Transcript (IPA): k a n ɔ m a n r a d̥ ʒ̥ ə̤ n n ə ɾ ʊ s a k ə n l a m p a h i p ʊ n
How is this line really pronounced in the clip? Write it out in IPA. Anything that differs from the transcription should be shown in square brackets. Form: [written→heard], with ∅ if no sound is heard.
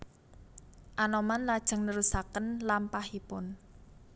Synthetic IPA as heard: [k→ʔ] a n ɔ m a n [r→l] a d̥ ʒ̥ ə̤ [n→ŋ] n ə ɾ [ʊ→u] s a k ə n l a m p a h i p ʊ n